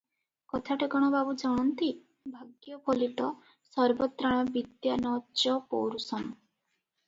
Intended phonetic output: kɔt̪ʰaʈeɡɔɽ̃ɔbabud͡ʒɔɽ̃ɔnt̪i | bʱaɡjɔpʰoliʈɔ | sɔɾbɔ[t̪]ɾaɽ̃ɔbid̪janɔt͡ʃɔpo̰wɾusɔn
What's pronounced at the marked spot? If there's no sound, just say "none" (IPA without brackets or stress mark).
t̪